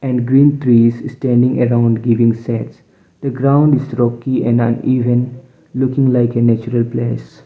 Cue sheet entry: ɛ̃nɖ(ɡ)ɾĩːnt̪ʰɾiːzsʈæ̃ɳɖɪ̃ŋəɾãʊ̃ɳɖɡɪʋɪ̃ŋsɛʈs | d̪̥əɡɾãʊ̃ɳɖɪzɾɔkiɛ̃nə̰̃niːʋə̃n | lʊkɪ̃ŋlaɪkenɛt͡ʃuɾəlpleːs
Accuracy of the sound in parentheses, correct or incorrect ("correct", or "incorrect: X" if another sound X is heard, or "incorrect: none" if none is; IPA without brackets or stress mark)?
correct